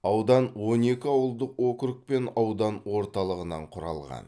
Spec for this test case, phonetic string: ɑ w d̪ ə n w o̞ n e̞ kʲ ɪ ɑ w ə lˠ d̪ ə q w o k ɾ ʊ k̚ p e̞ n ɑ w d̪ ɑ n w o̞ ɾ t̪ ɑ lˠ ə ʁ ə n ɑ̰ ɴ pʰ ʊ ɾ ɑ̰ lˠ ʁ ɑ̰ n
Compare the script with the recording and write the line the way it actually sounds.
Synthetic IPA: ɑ w d̪ ɑ n w o̞ n e̞ kʲ ɪ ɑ w ə lˠ d̪ ə q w o k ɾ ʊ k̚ p e̞ n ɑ w d̪ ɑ n w o̞ ɾ t̪ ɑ lˠ ə ʁ ə n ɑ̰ ɴ qʰ ʊ ɾ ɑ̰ lˠ ʁ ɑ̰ n